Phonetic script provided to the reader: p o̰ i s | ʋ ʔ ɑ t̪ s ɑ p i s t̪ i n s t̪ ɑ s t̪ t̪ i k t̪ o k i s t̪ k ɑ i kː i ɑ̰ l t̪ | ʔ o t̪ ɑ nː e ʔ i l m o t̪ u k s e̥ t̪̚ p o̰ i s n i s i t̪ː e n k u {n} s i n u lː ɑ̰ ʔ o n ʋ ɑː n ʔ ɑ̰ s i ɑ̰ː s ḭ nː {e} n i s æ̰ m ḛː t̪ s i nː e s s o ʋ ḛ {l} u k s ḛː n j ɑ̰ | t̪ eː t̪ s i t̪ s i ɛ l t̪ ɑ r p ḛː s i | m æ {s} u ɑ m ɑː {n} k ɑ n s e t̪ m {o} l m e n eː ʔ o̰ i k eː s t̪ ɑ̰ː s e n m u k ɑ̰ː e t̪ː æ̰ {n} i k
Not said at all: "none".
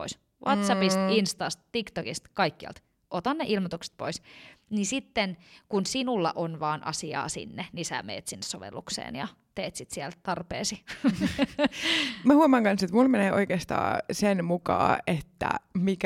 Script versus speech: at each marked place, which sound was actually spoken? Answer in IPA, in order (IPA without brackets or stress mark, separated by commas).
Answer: n, e, lː, h, ŋ, u, m